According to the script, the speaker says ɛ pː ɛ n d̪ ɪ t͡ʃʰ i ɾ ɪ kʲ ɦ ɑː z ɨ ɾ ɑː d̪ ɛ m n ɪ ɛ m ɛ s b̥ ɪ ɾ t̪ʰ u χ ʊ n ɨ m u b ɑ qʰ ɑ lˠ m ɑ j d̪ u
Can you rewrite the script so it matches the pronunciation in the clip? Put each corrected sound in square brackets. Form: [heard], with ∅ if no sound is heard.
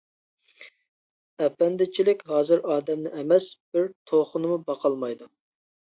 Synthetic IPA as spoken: ɛ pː ɛ n d̪ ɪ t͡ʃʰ i [l] ɪ kʲ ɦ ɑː z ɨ ɾ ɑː d̪ ɛ m n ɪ ɛ m ɛ s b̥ ɪ ɾ t̪ʰ [o] χ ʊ n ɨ m u b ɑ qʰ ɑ lˠ m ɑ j d̪ u